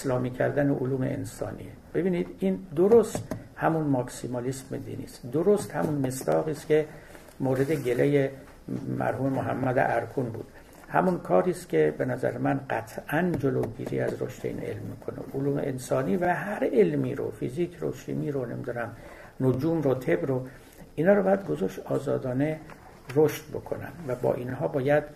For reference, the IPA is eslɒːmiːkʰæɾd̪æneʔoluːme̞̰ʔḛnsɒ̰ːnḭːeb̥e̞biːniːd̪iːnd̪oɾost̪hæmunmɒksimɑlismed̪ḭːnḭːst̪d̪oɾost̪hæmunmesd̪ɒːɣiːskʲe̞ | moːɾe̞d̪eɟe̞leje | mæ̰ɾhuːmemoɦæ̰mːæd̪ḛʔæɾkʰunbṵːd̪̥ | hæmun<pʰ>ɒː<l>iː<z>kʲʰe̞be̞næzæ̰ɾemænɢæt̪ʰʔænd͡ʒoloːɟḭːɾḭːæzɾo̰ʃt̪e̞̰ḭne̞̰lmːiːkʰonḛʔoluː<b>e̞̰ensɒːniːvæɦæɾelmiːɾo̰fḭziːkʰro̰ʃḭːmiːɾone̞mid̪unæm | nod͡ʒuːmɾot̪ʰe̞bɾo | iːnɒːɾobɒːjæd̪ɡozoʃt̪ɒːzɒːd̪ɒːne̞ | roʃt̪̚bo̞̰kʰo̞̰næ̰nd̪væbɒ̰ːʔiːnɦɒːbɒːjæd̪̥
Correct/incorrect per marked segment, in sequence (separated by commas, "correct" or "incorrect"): incorrect, incorrect, incorrect, incorrect